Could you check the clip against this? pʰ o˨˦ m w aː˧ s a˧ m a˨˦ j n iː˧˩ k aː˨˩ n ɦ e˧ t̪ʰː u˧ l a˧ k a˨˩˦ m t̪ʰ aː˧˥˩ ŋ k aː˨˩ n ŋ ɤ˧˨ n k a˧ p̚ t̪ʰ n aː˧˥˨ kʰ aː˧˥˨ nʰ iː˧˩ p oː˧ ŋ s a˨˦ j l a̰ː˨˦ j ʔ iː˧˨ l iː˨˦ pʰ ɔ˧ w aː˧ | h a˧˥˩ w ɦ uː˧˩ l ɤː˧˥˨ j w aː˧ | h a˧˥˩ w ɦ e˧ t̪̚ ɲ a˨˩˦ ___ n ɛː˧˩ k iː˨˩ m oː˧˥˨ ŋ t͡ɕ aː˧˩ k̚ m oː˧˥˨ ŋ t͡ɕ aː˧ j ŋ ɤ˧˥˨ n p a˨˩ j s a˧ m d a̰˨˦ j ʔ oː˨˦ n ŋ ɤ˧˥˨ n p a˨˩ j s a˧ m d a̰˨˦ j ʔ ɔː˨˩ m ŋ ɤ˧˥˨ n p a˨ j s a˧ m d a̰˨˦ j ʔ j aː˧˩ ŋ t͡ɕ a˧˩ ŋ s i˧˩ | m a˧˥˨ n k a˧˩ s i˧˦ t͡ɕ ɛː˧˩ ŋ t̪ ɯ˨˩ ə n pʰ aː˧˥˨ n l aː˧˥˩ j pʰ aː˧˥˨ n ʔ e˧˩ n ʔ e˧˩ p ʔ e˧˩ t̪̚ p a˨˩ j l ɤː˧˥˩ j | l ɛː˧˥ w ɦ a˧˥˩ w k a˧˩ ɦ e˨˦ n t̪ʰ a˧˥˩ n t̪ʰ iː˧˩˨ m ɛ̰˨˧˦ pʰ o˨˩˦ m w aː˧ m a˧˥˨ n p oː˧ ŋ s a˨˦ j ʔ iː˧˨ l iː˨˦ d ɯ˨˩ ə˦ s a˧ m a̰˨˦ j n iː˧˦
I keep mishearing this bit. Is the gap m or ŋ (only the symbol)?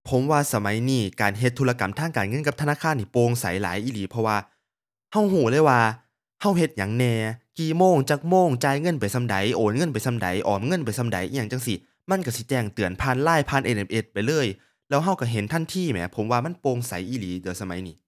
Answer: ŋ